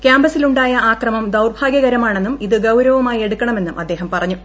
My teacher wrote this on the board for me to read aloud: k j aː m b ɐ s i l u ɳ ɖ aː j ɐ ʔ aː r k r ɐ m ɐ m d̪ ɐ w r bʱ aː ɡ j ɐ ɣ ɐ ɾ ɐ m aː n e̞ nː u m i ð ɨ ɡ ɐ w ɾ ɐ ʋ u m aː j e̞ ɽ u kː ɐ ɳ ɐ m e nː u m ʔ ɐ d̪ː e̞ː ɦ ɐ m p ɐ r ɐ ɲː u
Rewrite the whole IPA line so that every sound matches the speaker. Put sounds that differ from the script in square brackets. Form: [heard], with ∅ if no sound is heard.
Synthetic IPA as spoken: k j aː m b ɐ s i l u ɳ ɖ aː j ɐ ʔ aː [∅] k r ɐ m ɐ m d̪ ɐ w r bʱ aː ɡ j ɐ ɣ ɐ ɾ ɐ m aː [ɳ] e̞ nː u m i ð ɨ ɡ ɐ w ɾ ɐ ʋ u m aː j e̞ ɽ u kː ɐ ɳ ɐ m e nː u m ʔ ɐ d̪ː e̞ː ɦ ɐ m p ɐ r ɐ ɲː u